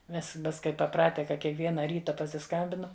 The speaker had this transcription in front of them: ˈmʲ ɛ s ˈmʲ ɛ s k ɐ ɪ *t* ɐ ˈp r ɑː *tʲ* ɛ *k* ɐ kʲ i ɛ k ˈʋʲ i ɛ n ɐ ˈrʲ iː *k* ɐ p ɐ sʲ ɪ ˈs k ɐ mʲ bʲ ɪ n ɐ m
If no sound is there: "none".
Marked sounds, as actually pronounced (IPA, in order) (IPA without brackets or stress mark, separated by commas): p, tʲ, k, t